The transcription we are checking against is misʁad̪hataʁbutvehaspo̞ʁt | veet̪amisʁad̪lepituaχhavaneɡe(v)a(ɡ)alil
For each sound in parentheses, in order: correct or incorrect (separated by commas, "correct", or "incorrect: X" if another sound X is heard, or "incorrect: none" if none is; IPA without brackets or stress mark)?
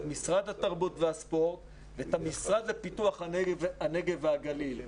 correct, correct